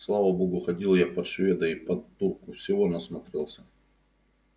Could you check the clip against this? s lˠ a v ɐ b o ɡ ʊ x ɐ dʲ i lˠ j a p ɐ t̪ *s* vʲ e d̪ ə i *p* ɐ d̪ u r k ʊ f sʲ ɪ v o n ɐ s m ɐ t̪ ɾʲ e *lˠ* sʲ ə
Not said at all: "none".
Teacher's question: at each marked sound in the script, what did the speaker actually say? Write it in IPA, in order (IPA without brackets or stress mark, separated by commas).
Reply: ʂ, p, lˠ